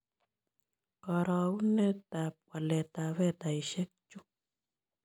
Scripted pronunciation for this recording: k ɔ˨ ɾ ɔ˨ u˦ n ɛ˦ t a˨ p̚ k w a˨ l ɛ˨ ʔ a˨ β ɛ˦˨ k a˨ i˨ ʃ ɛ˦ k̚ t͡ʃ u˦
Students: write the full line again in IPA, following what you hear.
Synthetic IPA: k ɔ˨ ɾ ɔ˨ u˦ n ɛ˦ t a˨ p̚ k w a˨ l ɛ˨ t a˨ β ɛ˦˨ t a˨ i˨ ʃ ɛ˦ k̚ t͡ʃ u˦